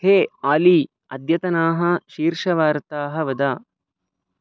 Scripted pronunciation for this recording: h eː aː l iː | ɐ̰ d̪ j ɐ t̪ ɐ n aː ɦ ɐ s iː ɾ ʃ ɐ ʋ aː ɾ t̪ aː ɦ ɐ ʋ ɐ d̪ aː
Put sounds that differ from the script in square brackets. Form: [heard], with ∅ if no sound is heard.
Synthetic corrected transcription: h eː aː l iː | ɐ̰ d̪ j ɐ t̪ ɐ n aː ɦ ɐ [ʃ] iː ɾ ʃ ɐ ʋ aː ɾ t̪ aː ɦ ɐ ʋ ɐ d̪ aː